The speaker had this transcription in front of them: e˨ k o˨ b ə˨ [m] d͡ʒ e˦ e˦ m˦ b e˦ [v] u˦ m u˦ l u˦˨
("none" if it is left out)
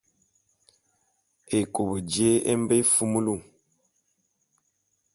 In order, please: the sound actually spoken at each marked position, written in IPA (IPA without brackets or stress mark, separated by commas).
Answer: none, f